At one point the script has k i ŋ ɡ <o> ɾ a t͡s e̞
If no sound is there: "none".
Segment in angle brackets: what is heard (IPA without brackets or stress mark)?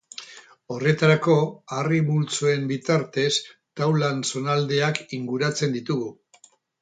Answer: u